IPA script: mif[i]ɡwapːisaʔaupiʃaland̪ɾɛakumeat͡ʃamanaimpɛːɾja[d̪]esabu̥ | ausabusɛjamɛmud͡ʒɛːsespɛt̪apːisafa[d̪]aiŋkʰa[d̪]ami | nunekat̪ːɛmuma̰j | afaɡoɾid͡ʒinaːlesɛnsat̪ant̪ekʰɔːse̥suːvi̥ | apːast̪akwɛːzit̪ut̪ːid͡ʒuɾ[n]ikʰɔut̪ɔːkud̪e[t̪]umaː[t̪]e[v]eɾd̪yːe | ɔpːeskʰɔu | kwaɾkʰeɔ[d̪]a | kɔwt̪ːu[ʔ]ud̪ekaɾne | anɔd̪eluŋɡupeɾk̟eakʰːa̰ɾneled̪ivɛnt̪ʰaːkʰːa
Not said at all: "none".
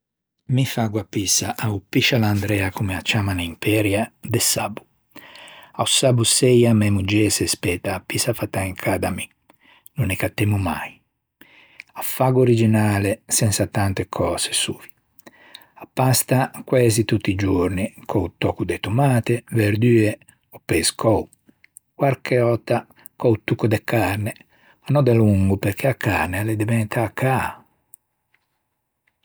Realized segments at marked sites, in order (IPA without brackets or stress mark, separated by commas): a, d̪, t̪, d̪, n, t̪, t̪, v, t̪, k